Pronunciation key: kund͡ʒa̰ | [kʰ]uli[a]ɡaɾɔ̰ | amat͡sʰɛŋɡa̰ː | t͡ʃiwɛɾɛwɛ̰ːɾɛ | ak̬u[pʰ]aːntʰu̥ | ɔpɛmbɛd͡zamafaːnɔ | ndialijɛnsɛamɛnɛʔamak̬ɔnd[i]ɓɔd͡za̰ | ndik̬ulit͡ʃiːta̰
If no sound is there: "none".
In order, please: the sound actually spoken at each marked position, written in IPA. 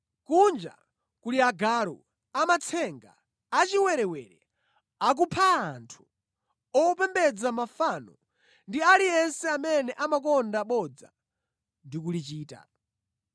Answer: k, a, pʰ, a

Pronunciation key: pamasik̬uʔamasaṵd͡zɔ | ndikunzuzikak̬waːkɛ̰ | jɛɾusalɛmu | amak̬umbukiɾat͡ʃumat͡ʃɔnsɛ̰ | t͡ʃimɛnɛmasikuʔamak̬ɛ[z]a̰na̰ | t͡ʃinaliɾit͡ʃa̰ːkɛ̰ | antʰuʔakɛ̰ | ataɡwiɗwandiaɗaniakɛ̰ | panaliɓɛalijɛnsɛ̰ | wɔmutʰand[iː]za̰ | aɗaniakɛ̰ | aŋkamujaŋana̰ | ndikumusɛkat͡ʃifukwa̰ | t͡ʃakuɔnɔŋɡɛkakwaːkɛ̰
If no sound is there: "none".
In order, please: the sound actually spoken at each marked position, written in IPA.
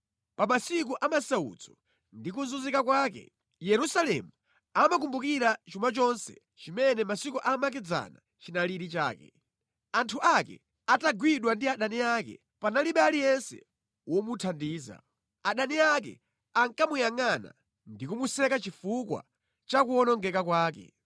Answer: d͡z, iː

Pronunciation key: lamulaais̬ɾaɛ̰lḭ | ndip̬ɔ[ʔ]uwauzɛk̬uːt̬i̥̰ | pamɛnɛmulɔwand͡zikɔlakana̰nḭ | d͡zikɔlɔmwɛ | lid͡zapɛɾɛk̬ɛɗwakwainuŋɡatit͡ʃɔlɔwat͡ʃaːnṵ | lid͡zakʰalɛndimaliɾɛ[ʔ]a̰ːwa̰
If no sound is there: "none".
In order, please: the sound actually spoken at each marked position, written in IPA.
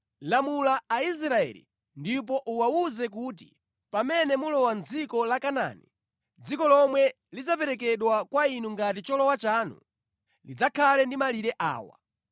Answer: ʔ, ʔ

